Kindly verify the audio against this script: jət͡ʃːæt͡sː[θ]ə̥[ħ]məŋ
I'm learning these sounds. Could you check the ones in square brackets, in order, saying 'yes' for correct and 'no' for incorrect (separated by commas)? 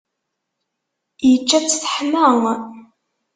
yes, yes